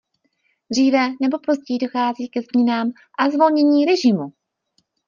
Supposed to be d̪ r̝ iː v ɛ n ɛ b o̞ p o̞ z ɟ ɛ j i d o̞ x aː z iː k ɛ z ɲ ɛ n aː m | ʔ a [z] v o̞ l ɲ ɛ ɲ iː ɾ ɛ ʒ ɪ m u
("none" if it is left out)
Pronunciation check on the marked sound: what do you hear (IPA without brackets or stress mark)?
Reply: z